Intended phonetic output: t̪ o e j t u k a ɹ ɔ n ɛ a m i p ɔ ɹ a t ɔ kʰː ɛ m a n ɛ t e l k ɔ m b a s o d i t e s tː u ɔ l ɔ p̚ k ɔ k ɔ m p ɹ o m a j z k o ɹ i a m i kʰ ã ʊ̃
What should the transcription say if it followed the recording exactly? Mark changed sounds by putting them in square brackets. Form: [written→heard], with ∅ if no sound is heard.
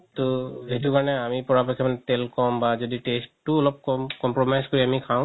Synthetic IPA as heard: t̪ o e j t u k a ɹ ɔ n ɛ a m i p ɔ ɹ a [t→p] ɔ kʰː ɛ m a n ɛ t e l k ɔ m b a [s→z] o d i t e s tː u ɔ l ɔ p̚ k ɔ k ɔ m p ɹ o m a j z k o ɹ i a m i kʰ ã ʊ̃